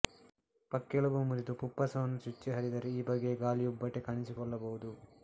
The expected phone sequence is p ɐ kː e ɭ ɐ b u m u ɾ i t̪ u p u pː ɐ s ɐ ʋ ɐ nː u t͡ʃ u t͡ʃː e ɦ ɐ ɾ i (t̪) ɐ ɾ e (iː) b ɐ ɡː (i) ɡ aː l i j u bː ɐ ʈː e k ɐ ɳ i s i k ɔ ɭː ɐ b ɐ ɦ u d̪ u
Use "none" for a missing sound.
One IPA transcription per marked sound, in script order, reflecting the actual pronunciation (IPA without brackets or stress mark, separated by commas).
d̪, iː, e